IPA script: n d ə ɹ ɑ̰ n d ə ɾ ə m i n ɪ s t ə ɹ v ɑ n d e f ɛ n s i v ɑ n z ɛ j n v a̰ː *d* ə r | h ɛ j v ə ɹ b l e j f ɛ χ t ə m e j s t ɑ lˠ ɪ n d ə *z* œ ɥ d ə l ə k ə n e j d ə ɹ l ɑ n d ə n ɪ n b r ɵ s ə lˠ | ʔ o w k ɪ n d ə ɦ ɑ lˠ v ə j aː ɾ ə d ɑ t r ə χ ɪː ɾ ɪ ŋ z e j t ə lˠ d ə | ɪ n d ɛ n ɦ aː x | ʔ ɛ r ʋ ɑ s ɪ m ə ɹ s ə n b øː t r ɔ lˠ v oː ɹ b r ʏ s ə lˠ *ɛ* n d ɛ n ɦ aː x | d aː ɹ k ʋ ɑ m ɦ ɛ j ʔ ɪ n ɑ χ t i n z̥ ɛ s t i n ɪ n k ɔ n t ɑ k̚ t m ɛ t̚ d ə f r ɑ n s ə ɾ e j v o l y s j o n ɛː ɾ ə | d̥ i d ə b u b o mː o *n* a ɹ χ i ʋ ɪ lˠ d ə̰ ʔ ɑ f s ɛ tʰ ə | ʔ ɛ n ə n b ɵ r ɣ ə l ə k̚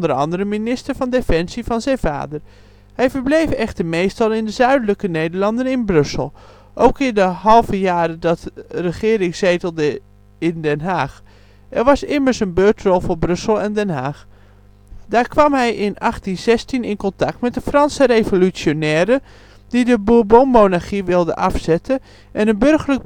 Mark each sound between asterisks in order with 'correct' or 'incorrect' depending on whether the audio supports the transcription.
correct, correct, correct, correct

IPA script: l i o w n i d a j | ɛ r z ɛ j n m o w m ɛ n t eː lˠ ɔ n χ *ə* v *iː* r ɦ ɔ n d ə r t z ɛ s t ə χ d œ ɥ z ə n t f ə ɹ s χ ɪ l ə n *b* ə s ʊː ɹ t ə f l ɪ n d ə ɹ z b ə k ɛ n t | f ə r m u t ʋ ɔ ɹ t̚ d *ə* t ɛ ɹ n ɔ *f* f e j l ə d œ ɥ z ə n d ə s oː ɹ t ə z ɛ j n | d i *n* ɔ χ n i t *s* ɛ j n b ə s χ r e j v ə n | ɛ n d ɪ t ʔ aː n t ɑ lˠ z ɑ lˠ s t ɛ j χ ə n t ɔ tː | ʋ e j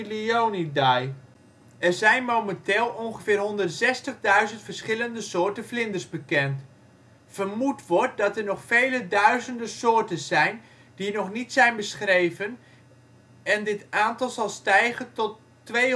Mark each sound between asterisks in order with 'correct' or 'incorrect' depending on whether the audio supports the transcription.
correct, incorrect: ɪː, incorrect: d, incorrect: ɑ, incorrect: χ, correct, correct

